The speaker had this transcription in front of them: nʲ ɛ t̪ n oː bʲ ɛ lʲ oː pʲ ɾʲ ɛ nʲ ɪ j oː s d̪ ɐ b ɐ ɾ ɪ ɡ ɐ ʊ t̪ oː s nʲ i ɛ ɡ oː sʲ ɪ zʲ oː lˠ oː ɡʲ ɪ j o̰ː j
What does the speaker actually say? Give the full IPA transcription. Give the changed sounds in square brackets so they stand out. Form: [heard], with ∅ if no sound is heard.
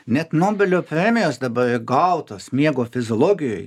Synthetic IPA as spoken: nʲ ɛ t̪ n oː bʲ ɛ lʲ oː pʲ ɾʲ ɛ [mʲ] ɪ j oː s d̪ ɐ b ɐ ɾ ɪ ɡ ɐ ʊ t̪ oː s [mʲ] i ɛ ɡ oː [fʲ] ɪ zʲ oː lˠ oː ɡʲ ɪ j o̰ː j